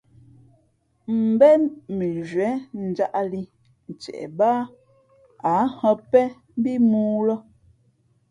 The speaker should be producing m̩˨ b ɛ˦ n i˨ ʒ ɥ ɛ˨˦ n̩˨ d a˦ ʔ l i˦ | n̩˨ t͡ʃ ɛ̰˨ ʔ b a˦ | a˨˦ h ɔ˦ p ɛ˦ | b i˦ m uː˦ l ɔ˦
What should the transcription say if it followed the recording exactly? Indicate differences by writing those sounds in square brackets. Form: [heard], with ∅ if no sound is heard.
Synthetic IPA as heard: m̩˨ b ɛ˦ [m] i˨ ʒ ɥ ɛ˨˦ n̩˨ [d͡ʒ] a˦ ʔ l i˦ | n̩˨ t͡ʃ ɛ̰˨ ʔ b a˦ | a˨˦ h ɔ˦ p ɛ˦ | b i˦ m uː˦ l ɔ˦